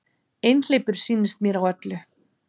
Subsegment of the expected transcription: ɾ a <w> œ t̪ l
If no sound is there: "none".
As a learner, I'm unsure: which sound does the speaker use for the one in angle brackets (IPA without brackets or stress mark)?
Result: w